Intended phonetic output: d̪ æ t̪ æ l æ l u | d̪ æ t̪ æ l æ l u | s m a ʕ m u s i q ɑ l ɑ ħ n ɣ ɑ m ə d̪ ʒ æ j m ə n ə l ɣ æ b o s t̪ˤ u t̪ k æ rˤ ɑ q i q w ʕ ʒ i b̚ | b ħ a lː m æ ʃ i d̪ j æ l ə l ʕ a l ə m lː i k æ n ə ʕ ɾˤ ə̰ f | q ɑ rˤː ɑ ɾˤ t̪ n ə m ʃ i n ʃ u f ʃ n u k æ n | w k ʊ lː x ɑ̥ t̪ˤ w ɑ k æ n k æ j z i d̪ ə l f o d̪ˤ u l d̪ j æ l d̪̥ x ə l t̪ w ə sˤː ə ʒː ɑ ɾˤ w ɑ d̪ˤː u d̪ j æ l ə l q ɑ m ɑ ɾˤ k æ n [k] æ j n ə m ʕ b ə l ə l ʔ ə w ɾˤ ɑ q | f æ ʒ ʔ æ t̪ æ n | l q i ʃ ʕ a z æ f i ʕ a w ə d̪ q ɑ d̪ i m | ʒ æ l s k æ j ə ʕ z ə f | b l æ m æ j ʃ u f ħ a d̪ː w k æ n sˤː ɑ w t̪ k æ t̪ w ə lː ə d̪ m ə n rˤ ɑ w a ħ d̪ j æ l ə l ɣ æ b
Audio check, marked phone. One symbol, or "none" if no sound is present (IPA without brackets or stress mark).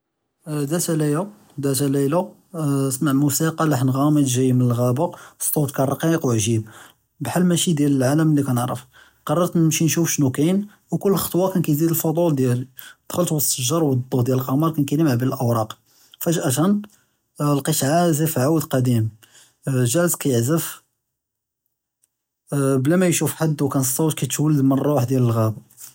k